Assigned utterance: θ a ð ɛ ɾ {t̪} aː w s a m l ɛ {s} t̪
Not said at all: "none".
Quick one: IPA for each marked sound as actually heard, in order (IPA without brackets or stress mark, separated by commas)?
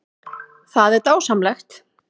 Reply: t̪, x